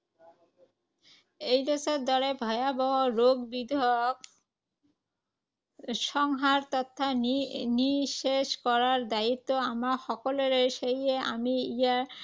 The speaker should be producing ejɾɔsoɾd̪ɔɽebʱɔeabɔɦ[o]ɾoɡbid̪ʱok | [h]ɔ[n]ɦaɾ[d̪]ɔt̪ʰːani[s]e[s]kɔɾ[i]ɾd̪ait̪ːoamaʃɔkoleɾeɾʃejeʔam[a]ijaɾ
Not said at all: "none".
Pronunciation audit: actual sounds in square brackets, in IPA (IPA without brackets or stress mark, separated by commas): o, ʃ, ŋ, t̪, ʃ, ʃ, a, i